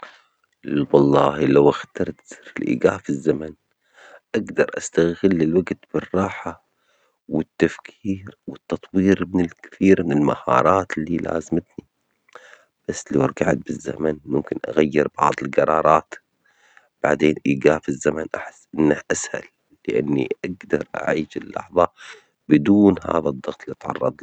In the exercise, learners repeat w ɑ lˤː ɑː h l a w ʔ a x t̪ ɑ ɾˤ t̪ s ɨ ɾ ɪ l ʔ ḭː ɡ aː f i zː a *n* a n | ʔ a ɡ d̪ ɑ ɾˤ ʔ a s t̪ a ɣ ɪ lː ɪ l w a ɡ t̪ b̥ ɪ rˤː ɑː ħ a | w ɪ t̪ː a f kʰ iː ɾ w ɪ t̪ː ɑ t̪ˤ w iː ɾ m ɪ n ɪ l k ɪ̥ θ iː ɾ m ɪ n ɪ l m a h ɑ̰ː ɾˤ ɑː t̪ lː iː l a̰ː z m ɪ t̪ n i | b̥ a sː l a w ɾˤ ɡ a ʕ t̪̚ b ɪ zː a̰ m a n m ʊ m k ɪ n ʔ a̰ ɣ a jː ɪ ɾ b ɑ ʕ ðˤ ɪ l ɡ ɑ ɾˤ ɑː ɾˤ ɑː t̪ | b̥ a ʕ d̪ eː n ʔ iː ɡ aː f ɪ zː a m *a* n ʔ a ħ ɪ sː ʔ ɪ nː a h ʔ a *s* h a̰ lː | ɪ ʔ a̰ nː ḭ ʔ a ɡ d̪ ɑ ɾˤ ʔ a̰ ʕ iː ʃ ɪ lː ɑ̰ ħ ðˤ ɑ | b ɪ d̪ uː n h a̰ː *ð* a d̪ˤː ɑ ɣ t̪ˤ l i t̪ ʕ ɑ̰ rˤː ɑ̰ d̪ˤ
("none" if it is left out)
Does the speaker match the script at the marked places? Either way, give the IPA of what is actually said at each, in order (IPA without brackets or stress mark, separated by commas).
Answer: m, a, s, ð